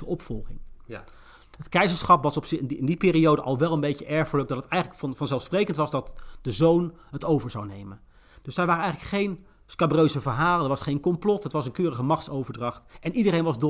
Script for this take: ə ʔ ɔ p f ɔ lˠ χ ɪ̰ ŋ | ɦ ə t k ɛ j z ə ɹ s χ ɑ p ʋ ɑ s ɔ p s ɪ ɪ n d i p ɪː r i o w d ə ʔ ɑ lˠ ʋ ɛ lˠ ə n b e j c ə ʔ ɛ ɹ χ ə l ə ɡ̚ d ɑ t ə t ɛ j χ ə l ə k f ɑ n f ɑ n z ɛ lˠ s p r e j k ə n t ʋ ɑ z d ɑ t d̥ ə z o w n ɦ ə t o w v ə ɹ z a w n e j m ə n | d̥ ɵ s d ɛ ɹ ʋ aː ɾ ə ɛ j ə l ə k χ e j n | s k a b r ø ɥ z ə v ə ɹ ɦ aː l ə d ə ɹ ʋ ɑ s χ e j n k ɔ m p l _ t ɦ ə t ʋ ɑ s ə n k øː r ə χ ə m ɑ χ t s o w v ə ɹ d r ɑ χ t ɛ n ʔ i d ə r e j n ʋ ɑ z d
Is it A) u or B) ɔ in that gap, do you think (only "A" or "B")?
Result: B